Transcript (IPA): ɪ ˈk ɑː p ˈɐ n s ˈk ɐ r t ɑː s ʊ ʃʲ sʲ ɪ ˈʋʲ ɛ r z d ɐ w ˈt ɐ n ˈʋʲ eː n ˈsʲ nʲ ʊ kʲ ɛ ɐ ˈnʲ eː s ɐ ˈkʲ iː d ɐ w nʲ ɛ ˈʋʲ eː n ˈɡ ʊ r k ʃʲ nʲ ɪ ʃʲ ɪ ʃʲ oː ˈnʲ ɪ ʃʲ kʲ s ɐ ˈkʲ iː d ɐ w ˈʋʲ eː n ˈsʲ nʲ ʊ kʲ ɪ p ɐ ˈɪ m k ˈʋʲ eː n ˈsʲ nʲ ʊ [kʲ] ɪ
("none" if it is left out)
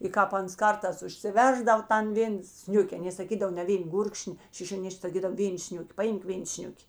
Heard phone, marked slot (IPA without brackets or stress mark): kʲ